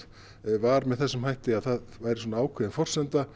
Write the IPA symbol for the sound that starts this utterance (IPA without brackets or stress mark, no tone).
v